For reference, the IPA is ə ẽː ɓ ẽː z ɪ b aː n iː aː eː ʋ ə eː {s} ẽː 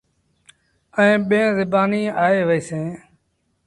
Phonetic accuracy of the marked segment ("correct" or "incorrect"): correct